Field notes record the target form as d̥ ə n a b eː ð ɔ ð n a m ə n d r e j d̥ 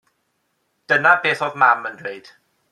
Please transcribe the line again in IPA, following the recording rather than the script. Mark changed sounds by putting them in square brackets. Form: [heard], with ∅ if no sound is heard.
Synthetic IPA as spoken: d̥ ə n a b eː [θ] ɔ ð [m] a m ə n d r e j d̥